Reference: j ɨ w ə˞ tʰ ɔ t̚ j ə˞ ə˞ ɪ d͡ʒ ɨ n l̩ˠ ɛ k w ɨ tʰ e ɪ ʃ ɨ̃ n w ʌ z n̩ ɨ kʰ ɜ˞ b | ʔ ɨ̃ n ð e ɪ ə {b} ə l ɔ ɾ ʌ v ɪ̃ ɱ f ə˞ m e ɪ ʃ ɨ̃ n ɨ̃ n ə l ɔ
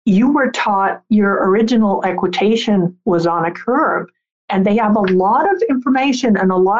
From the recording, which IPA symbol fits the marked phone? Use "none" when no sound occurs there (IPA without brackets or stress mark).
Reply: v